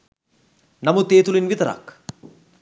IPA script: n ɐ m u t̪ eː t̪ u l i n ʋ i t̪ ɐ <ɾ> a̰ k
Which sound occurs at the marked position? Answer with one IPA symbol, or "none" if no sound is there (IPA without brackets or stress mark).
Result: ɾ